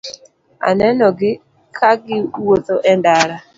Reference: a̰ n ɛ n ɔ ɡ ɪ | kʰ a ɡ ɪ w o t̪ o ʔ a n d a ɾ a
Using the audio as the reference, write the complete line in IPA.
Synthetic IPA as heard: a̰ n ɛ n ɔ ɡ ɪ | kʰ a ɡ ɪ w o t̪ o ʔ ɛ n d a ɾ a